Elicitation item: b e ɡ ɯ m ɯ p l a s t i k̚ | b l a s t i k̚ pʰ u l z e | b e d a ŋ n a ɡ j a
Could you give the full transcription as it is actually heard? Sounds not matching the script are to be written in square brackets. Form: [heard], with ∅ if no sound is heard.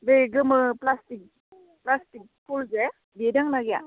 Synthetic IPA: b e ɡ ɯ m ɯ p l a s t i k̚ | [p] l a s t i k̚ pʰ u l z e | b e d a ŋ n a ɡ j a